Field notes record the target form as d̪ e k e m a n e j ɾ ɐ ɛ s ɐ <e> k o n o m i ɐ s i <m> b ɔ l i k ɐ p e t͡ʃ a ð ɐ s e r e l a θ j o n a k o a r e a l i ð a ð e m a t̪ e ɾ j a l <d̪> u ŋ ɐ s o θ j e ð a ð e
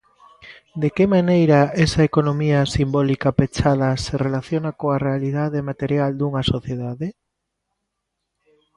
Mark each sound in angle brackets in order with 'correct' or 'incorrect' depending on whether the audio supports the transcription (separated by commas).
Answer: correct, correct, correct